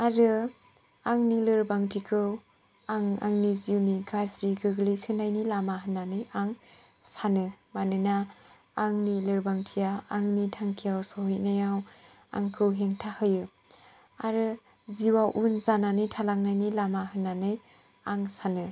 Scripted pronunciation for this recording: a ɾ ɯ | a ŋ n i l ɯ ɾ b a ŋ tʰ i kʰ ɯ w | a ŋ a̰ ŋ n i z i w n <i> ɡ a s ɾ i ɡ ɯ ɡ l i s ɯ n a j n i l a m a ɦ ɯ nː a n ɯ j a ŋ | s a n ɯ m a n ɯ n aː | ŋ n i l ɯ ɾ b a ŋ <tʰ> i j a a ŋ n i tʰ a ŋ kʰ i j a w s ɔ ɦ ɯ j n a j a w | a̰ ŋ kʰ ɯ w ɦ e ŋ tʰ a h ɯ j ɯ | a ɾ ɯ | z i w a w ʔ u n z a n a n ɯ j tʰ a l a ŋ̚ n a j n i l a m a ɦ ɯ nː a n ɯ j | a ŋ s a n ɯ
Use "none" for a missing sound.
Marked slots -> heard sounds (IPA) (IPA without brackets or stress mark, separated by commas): i, tʰ